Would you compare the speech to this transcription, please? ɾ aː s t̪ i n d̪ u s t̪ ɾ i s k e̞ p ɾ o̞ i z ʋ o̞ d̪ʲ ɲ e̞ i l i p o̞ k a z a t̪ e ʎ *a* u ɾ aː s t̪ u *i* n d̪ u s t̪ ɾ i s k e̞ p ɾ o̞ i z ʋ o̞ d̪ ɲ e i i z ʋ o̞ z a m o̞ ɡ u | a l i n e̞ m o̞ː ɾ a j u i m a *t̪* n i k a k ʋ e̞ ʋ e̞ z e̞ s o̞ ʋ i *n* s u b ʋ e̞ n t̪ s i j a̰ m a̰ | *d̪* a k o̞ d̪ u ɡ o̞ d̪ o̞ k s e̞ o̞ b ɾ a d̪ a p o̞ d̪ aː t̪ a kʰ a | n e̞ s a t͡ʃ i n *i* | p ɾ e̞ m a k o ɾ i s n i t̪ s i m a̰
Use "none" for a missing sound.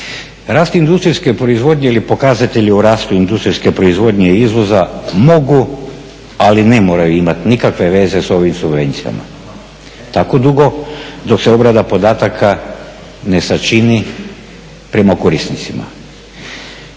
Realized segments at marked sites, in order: i, i, t̪, m, t̪, i

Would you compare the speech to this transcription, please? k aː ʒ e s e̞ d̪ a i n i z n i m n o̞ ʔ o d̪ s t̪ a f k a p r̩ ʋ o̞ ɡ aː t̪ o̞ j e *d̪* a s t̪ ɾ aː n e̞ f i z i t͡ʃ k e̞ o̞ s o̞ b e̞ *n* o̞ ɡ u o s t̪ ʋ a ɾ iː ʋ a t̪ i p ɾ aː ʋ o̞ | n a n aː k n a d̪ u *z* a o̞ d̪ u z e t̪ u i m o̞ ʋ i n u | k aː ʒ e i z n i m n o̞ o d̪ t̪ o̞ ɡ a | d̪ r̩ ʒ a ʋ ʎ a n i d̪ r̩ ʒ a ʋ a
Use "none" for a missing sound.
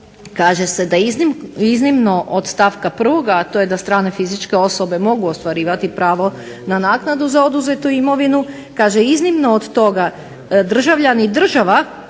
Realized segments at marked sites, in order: d̪, m, z

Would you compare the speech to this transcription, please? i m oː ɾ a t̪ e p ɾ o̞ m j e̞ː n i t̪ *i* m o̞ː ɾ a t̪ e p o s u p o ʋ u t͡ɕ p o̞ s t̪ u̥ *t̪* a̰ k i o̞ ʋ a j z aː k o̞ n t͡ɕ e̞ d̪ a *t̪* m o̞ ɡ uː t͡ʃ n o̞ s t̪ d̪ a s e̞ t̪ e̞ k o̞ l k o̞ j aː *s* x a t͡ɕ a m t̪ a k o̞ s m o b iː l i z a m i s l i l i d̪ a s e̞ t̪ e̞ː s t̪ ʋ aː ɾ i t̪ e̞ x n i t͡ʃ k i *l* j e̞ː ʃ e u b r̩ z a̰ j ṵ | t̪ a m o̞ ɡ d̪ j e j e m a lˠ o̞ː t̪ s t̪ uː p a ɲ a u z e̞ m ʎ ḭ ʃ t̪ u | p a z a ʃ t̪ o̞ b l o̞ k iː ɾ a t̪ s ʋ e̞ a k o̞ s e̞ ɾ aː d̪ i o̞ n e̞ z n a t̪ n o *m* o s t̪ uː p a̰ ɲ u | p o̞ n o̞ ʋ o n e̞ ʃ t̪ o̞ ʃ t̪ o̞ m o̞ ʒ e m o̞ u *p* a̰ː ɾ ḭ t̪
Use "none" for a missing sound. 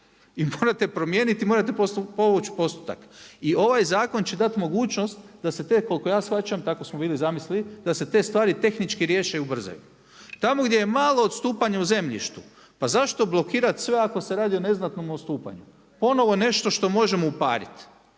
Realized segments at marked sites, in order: i, t̪, t̪, s, ɾ, m, p

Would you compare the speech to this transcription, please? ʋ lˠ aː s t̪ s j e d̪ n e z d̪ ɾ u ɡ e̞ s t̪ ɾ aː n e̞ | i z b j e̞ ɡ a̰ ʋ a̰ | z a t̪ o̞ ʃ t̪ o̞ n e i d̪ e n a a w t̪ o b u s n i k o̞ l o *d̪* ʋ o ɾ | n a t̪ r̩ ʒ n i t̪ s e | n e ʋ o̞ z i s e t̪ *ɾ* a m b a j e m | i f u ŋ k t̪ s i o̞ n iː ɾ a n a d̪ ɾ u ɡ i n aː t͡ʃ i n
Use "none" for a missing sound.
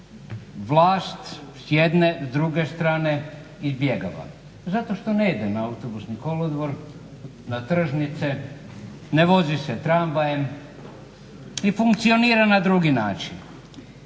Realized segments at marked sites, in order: d̪, ɾ

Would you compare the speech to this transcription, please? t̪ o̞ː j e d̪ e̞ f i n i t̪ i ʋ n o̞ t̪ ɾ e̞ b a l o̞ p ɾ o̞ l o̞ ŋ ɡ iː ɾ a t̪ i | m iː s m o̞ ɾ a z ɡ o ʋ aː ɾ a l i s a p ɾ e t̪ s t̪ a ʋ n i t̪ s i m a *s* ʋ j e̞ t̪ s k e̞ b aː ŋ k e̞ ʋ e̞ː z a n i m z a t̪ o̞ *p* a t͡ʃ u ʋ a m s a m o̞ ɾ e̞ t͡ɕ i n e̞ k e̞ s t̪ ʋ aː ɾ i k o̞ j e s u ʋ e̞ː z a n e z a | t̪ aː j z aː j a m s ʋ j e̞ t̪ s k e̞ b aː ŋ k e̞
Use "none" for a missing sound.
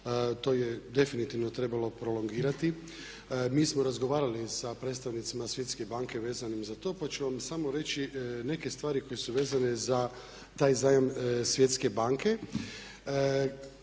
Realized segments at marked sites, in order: s, p

